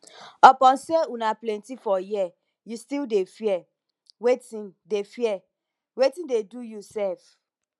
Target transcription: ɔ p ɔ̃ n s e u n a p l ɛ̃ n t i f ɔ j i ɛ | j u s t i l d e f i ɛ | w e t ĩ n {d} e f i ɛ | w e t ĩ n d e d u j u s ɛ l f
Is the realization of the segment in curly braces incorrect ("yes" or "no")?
no